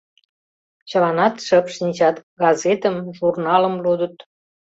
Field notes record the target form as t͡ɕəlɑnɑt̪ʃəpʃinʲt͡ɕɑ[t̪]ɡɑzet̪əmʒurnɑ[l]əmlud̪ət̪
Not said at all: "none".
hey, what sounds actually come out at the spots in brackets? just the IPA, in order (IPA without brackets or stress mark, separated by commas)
t̪, l